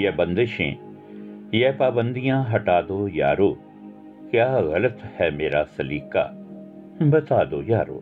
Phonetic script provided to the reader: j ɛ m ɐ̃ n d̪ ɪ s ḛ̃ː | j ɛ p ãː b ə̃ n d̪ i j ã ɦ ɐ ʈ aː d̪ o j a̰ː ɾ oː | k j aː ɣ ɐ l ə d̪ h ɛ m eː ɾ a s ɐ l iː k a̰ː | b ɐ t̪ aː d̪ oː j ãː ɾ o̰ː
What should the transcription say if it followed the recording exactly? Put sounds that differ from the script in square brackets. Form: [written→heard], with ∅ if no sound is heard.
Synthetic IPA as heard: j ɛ [m→b] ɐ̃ n d̪ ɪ [s→ʃ] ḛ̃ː | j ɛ p [ãː→aː] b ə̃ n d̪ i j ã ɦ ɐ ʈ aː d̪ o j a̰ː ɾ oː | k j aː ɣ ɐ l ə [d̪→t̪] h ɛ m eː ɾ a s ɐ l iː k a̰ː | b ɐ t̪ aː d̪ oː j [ãː→aː] ɾ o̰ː